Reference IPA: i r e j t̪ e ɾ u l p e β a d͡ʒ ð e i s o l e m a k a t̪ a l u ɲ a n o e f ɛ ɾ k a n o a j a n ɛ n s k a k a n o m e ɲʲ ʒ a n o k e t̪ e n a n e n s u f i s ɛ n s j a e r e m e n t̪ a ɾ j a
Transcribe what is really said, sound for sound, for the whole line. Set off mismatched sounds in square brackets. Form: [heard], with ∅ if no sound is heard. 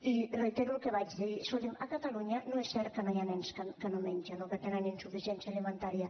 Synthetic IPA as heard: i r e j t̪ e ɾ u l [k] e β a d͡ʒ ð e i s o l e m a k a t̪ a l u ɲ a n o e [s] ɛ ɾ k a n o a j a n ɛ n s k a k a n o m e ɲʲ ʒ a n o k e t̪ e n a n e n s u f i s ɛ n s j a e [l] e m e n t̪ a ɾ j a